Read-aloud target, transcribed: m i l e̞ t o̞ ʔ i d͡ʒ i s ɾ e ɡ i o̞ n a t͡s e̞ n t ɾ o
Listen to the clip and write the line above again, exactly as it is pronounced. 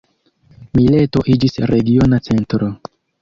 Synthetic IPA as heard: m i l e̞ t o̞ ʔ i d͡ʒ i s ɾ e ɡ i o̞ n a t͡s e̞ n t ɾ o

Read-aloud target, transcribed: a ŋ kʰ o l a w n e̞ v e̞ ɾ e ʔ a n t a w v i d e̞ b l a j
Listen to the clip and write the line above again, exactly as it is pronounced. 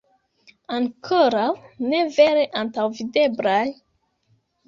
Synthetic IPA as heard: a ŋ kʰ o ɾ a w n e̞ v e̞ ɾ e ʔ a n t a w v i d e̞ b l a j

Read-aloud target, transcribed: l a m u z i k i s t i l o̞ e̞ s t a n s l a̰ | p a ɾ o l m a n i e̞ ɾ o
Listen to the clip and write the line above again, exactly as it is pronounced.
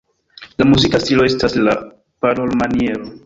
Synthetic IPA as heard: l a m u z i k a s t i l o̞ e̞ s t a s l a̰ | p a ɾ o l m a n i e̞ ɾ o

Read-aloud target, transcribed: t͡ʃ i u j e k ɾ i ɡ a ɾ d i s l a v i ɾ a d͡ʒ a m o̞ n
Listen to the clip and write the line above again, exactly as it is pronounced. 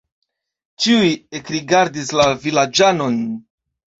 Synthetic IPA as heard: t͡ʃ i u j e k ɾ i ɡ a ɾ d i s l a v i l a d͡ʒ a n o̞ n

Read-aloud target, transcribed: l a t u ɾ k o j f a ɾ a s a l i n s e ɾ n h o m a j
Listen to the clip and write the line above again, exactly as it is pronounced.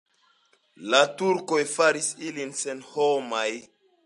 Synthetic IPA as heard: l a t u ɾ k o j f a ɾ i s i l i n s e n h o m a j

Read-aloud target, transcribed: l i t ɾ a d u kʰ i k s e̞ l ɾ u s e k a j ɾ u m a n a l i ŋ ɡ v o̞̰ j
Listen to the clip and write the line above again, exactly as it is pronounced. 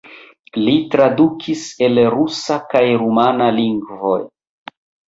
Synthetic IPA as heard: l i t ɾ a d u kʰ i s e̞ l ɾ u s a k a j ɾ u m a n a l i ŋ ɡ v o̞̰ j

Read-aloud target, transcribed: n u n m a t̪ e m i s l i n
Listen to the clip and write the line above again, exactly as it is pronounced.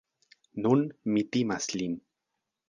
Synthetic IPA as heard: n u n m i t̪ i m a s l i n

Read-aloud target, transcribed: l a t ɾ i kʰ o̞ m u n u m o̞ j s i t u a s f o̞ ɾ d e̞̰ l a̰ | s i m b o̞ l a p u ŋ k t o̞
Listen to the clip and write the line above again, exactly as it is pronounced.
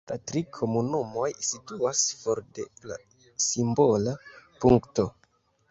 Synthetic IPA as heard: l a t ɾ i kʰ o̞ m u n u m o̞ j s i t u a s f o̞ ɾ d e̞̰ l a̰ | s i m b o̞ l a p u ŋ k t o̞

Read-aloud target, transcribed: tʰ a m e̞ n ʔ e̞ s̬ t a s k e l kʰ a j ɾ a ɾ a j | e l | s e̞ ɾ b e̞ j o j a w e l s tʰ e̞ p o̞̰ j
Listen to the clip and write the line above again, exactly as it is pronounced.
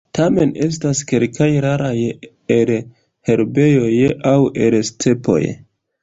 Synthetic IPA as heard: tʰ a m e̞ n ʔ e̞ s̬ t a s k e l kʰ a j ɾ a ɾ a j | e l | h e̞ ɾ b e̞ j o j a w e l s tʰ e̞ p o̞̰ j

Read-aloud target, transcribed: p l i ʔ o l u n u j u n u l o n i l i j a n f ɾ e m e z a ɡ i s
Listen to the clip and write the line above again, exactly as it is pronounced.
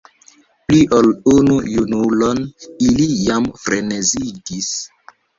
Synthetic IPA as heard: p l i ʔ o l u n u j u n u l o n i l i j a m f ɾ e n e z i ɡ i s

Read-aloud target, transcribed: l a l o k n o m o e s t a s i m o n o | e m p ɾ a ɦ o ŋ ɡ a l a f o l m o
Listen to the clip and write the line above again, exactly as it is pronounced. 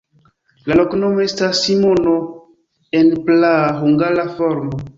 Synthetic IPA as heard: l a l o k n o m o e s t a s i m o n o | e n p l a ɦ u ŋ ɡ a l a f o ɾ m o

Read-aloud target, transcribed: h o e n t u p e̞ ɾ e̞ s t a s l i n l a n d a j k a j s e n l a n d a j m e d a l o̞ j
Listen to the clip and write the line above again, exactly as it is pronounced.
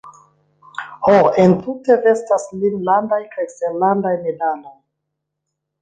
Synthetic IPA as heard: h o e n t u t e̞ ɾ e̞ s t a s l i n l a n d a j k a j s e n l a n d a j m e d a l o̞ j

